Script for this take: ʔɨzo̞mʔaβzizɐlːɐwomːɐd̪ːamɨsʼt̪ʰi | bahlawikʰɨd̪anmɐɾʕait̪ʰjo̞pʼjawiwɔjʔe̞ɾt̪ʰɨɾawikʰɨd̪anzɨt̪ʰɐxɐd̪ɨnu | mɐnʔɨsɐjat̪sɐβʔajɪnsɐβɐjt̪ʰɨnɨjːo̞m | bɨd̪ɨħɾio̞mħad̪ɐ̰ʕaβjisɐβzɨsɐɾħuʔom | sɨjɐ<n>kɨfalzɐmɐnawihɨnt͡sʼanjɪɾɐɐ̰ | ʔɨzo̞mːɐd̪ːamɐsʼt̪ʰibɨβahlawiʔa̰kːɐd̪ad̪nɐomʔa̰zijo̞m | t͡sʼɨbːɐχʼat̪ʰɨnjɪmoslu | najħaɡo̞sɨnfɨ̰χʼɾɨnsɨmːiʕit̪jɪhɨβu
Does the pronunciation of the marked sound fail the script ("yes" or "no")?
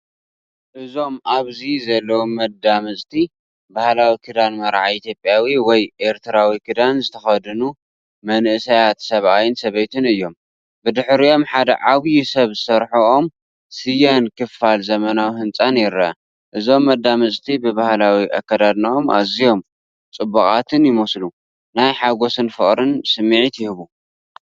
no